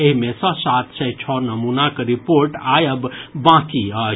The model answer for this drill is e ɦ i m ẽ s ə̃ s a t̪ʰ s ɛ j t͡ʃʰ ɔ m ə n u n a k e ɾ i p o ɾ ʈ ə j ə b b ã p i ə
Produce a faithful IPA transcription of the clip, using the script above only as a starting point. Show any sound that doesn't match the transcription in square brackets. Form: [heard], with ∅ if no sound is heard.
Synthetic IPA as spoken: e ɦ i m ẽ s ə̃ s a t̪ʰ s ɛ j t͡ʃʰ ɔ [n] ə [m] u n a k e ɾ i p o ɾ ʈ [a] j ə b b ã [k] i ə